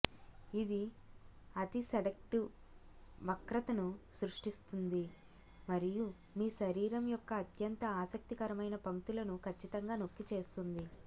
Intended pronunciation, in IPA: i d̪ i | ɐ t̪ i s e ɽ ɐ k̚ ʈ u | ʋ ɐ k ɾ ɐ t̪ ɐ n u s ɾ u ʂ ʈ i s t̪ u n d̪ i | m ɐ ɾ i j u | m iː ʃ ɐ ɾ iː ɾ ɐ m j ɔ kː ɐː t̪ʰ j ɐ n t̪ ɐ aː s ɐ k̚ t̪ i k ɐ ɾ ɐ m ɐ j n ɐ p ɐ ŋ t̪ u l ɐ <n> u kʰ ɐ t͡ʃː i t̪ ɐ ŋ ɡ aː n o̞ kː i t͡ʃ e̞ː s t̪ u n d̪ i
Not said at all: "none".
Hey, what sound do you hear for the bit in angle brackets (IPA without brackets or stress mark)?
n